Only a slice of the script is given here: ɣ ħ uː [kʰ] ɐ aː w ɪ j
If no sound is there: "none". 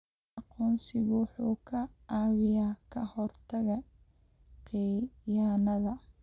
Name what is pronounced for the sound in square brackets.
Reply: kʰ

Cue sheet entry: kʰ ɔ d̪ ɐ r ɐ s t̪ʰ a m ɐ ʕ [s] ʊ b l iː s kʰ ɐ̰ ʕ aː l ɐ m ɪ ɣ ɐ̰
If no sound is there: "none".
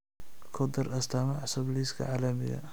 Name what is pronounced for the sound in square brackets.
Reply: s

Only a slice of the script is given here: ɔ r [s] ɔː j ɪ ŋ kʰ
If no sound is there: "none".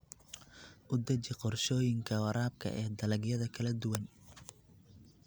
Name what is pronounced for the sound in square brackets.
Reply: ʃ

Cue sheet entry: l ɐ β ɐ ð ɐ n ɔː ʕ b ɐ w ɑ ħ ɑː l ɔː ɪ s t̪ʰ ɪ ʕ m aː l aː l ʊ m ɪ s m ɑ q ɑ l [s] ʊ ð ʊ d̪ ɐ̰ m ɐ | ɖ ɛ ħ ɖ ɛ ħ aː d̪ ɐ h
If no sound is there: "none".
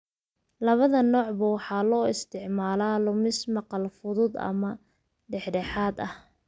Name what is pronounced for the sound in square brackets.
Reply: f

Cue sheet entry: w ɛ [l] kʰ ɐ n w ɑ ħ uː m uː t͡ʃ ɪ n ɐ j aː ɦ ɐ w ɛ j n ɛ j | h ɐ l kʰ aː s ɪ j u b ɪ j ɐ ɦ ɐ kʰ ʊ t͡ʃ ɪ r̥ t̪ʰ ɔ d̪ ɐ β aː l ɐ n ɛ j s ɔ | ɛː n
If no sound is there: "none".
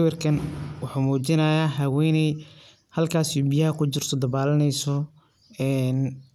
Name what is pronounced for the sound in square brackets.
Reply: r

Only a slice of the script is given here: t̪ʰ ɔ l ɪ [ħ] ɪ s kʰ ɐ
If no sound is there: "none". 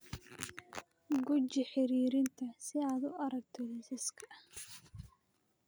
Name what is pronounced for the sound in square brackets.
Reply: s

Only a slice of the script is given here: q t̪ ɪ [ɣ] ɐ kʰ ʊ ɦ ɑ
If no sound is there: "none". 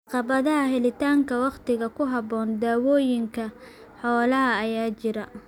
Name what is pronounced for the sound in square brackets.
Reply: ɣ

